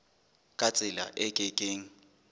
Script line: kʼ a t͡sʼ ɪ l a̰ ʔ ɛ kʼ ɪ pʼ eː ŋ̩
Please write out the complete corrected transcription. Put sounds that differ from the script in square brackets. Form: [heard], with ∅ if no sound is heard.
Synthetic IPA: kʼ a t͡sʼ ɪ l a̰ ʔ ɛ kʼ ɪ [kʼ] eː ŋ̩